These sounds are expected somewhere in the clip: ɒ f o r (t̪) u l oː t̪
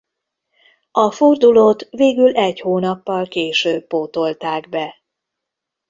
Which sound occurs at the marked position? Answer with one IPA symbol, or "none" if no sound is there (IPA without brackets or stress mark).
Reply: d̪